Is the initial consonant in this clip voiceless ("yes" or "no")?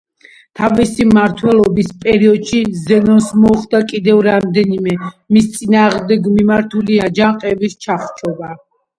yes